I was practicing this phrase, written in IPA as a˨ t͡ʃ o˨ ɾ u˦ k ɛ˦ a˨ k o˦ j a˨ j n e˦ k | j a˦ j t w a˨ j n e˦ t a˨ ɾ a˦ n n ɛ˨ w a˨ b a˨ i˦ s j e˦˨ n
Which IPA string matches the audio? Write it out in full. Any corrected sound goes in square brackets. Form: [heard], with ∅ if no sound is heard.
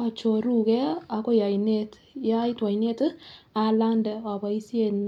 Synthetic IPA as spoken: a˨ t͡ʃ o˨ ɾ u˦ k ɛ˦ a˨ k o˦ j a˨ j n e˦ [t] | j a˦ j t w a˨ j n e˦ t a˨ [l] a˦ n [d] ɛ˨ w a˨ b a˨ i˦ s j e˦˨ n